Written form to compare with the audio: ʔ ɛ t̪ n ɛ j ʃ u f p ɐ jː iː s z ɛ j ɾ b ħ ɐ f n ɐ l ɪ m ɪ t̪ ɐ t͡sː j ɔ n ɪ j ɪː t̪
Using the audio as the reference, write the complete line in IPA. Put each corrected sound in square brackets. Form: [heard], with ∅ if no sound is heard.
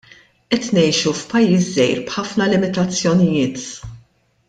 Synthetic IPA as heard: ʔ ɛ t̪ n ɛ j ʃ u f p ɐ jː iː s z ɛ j ɾ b ħ ɐ f n ɐ l ɪ m ɪ t̪ ɐ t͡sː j ɔ n ɪ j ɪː t̪